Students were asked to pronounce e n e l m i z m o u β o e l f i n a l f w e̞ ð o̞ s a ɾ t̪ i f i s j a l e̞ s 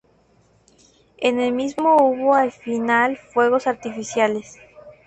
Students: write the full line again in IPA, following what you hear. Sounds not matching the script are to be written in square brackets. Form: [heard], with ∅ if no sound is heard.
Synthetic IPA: e n e l m i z m o u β o [a] l f i n a l f w e̞ [ɣ] o̞ s a ɾ t̪ i f i s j a l e̞ s

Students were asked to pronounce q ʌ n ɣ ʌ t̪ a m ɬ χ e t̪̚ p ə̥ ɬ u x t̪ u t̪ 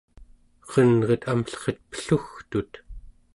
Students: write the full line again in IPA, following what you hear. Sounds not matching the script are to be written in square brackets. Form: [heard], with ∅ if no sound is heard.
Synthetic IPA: q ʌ n [ʁ] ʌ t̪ a m ɬ χ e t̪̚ p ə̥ ɬ u x t̪ u t̪

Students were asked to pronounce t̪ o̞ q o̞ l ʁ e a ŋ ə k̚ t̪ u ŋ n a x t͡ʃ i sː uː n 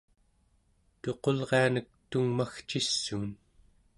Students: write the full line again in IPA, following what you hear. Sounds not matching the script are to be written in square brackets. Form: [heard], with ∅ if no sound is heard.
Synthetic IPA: t̪ o̞ q o̞ l ʁ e a [n] ə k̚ t̪ u ŋ [m] a x t͡ʃ i sː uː n

